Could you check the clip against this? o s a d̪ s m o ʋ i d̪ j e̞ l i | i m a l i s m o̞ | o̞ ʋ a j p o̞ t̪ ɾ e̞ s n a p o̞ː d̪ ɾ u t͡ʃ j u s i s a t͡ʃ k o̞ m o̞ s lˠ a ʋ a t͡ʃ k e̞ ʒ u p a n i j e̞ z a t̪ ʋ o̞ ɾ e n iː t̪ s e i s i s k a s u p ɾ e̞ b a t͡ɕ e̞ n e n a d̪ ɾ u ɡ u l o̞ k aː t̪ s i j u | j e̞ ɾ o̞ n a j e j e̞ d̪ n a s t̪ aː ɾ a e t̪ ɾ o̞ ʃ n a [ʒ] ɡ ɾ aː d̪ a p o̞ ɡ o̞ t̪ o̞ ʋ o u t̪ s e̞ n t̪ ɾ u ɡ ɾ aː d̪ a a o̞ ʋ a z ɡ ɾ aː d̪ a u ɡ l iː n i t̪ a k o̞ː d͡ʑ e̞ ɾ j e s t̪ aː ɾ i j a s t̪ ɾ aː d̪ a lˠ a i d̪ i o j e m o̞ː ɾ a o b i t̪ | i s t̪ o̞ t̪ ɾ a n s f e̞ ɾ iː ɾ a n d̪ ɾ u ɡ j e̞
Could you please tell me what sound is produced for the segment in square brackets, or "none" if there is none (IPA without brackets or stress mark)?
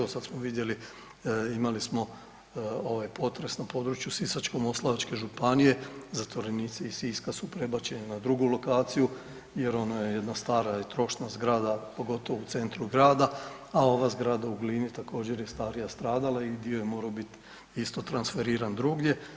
z